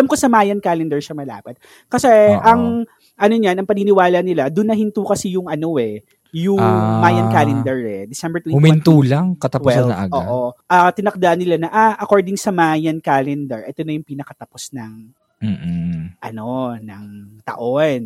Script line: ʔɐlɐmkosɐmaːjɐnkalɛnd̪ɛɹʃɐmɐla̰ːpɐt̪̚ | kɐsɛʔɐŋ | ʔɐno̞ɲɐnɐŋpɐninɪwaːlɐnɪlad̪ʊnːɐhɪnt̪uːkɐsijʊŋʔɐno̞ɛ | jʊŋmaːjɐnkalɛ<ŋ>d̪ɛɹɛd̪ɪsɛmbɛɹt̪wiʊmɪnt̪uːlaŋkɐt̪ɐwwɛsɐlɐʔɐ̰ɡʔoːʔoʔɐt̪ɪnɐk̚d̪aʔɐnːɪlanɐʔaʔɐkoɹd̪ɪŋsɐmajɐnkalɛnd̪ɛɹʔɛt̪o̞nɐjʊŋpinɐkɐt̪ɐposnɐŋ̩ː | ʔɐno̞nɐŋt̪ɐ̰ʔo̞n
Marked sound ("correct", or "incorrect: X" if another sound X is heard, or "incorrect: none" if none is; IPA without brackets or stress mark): incorrect: n